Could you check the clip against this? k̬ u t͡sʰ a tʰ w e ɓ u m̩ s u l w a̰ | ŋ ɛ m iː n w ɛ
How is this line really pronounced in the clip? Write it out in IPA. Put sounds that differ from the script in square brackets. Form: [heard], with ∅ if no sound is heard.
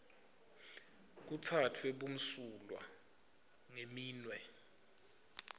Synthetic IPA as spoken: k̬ u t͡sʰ a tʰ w e ɓ u m̩ s u l w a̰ | ŋ [e] m iː n w ɛ